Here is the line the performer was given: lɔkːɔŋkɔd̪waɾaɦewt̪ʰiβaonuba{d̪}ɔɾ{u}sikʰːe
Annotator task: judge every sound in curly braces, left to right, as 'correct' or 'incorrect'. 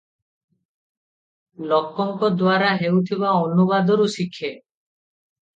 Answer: correct, correct

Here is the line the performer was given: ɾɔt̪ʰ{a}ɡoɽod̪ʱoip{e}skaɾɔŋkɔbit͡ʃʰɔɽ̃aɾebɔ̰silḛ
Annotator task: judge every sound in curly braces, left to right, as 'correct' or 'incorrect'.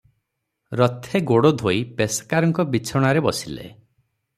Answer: incorrect: e, correct

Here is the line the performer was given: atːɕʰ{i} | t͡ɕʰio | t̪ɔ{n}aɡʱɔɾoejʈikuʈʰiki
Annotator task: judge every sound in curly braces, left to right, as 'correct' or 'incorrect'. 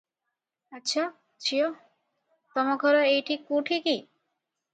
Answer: incorrect: a, incorrect: m

